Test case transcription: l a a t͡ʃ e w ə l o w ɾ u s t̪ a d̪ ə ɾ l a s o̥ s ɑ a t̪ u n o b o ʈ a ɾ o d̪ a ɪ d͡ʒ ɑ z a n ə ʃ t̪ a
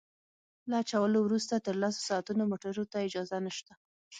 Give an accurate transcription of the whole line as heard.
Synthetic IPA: l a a t͡ʃ a w ə l o w ɾ u s t̪ a t̪ ə ɾ l a s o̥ s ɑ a t̪ u n o m o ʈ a ɾ o t̪ a ɪ d͡ʒ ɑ z a n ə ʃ t̪ a